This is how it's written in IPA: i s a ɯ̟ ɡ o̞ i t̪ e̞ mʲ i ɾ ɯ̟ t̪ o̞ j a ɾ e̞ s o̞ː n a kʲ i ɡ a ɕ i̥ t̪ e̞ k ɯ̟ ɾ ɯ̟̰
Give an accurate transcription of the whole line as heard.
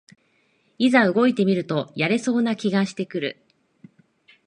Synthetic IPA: i z a ɯ̟ ɡ o̞ i t̪ e̞ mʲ i ɾ ɯ̟ t̪ o̞ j a ɾ e̞ s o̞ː n a kʲ i ɡ a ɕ i̥ t̪ e̞ k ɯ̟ ɾ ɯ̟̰